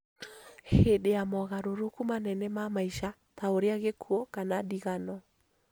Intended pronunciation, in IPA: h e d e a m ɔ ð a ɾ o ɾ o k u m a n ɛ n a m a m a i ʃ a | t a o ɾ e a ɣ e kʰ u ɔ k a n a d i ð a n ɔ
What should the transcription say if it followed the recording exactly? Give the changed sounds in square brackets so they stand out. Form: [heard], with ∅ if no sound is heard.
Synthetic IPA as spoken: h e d e a m ɔ [ɣ] a ɾ o ɾ o k u m a n ɛ n [ɛ] m a m a i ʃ a | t a o ɾ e a ɣ e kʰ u ɔ k a n a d i [ɣ] a n ɔ